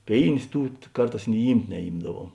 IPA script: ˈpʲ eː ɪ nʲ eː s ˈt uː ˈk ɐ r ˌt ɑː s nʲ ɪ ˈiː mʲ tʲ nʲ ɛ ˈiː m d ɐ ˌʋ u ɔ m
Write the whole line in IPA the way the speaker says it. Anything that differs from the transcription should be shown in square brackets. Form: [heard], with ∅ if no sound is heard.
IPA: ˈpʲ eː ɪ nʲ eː s ˈt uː ˈk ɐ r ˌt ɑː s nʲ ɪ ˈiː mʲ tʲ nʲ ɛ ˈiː m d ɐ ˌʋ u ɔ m